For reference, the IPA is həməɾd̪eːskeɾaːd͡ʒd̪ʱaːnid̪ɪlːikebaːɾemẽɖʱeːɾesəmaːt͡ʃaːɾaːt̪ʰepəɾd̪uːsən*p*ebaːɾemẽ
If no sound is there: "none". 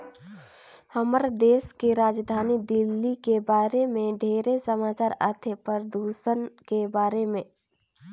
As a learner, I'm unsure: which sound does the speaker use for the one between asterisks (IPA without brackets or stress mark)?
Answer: k